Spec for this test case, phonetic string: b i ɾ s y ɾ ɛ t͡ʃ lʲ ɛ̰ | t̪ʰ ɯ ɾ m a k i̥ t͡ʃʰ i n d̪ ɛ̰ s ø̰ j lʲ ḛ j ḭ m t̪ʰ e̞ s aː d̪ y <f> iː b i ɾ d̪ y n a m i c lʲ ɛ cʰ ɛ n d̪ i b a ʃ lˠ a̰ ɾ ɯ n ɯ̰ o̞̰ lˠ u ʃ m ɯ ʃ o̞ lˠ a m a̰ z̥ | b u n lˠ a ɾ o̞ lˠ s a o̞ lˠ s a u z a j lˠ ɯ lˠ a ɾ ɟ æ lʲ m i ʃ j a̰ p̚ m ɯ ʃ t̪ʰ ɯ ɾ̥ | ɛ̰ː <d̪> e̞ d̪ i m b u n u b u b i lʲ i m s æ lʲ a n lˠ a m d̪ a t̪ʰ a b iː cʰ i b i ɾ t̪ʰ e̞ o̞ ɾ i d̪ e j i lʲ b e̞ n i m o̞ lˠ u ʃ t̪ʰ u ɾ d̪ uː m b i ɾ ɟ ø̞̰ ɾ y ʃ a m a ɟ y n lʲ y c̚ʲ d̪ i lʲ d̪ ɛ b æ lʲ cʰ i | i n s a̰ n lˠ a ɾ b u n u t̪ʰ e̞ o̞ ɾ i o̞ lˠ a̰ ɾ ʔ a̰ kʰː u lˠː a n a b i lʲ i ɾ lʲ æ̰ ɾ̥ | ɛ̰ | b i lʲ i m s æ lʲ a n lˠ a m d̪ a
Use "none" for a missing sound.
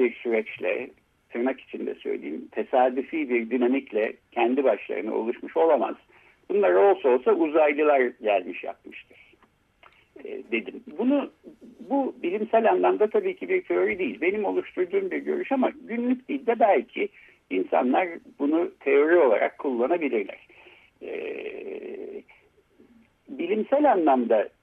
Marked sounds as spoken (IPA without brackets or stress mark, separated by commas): f, d̪